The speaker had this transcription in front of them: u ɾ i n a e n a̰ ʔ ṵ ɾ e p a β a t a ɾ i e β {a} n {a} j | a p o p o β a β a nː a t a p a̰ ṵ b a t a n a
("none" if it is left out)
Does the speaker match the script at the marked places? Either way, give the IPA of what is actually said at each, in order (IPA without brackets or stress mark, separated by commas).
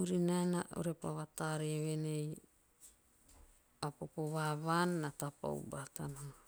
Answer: e, e